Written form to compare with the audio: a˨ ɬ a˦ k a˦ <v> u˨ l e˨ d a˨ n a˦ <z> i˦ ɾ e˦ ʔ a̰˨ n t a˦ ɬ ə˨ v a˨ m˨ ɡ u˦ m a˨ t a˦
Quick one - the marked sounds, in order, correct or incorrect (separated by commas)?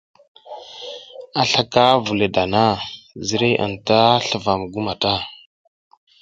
correct, correct